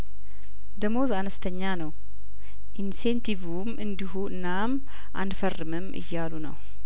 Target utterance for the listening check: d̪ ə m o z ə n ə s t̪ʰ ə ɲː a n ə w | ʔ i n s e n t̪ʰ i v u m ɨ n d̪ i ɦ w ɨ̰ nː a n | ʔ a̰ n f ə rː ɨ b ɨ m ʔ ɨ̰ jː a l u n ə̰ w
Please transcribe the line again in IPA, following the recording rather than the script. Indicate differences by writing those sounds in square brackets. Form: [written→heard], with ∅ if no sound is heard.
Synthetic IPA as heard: d̪ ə m o z [ə→a] n ə s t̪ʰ ə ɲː a n ə w | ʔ i n s e n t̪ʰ i v u m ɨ n d̪ i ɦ [w→u] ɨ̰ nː a [n→m] | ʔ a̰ n f ə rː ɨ [b→m] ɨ m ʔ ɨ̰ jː a l u n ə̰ w